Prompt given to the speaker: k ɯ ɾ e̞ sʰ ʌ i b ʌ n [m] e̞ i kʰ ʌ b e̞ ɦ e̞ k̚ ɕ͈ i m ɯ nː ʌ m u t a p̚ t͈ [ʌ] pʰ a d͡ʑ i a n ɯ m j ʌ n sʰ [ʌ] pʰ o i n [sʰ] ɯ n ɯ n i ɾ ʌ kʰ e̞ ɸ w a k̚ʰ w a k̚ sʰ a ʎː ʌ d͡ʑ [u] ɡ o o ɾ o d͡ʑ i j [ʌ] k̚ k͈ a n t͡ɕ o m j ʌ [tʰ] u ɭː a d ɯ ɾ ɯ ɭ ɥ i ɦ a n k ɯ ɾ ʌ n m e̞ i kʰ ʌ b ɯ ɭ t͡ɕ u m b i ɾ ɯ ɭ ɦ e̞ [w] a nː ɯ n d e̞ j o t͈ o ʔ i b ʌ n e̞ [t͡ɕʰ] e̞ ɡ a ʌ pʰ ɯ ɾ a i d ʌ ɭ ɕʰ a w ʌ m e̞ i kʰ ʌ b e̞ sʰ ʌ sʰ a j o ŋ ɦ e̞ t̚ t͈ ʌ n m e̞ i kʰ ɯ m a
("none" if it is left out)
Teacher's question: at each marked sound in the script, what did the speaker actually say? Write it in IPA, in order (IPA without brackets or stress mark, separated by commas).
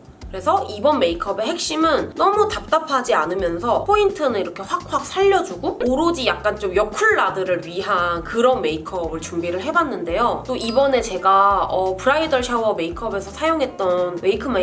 m, a, ʌ, tʰ, u, a, kʰ, b, t͡ɕ